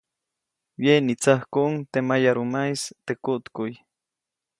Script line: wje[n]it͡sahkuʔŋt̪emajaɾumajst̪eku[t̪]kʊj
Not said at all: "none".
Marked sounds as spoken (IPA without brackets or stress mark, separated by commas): n, t̪